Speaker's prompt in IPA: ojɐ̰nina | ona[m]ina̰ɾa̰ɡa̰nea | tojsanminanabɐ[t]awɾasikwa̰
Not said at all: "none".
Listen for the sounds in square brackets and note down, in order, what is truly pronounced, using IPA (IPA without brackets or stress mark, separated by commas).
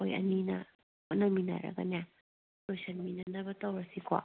m, t